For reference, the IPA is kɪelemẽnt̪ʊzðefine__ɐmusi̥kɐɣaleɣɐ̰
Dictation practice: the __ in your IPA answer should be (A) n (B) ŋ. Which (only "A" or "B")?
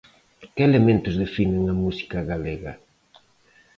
B